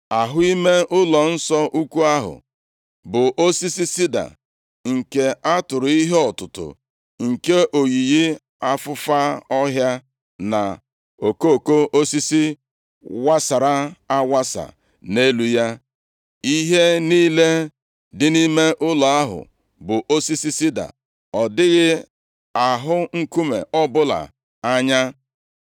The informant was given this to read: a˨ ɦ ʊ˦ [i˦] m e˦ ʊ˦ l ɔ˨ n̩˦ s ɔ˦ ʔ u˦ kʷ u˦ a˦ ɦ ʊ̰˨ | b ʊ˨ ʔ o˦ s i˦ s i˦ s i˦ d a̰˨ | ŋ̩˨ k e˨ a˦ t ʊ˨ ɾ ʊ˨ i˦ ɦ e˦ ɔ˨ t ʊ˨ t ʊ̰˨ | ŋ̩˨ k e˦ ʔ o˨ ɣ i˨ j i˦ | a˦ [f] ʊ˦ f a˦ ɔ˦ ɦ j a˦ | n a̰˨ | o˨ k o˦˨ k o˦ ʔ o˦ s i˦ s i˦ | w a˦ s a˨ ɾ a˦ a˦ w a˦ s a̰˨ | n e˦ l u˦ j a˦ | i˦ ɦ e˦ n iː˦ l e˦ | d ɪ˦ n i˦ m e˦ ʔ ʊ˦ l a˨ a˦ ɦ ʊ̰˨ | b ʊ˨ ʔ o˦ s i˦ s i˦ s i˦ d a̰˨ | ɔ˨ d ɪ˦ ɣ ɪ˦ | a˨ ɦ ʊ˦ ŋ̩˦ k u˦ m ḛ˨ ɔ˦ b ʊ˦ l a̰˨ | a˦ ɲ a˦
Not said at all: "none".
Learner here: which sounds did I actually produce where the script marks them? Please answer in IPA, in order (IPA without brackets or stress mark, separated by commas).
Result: i˦, f